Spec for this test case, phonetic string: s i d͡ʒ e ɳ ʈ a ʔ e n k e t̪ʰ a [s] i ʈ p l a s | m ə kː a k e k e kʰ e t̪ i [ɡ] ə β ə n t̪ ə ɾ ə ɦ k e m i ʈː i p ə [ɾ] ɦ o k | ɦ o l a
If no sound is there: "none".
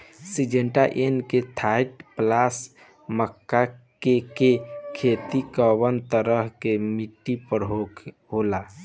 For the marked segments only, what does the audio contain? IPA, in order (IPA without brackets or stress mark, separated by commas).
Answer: none, k, ɾ